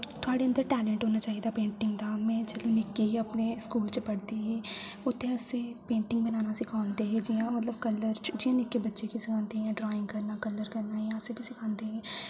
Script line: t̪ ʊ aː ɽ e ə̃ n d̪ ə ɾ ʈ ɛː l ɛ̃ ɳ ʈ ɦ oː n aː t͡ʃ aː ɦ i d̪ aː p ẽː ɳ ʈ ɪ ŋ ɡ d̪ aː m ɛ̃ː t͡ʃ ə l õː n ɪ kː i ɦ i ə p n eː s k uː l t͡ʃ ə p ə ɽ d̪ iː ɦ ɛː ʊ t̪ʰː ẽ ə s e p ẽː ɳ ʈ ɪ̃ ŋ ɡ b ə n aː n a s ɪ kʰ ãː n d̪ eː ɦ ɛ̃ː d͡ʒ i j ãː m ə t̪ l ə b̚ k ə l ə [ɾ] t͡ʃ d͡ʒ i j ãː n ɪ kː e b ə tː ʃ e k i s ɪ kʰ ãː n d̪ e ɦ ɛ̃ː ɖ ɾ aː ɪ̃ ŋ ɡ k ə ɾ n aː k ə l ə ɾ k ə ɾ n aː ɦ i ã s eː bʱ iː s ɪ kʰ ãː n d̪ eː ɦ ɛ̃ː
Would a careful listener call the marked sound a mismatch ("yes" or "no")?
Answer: no